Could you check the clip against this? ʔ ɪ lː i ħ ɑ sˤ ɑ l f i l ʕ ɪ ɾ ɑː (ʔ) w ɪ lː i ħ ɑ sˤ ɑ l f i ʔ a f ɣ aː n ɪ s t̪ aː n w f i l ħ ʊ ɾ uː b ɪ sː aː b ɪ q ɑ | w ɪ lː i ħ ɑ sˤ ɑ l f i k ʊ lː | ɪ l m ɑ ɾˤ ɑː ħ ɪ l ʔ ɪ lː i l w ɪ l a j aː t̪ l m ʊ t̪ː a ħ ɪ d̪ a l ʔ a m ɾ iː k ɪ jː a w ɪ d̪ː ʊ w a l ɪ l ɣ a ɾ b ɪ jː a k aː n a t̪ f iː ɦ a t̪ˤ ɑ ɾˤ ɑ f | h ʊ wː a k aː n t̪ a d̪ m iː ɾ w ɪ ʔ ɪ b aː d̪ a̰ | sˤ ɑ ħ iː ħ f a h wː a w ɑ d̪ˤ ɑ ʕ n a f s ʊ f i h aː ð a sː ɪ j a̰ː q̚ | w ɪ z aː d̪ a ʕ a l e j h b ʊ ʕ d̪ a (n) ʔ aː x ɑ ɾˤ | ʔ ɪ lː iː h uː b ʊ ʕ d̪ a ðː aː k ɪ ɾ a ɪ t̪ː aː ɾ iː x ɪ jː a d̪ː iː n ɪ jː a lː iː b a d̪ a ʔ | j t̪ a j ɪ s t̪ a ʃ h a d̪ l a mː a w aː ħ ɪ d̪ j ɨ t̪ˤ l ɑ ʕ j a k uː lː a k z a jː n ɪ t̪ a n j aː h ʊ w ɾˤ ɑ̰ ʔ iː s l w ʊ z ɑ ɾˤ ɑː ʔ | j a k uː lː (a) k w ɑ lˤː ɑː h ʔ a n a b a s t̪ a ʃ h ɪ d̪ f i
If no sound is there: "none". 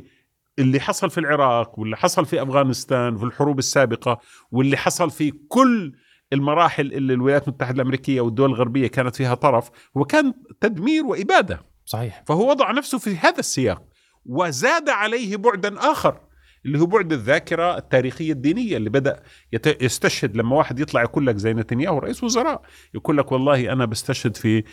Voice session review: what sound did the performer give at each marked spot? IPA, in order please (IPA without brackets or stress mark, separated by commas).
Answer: q, n, a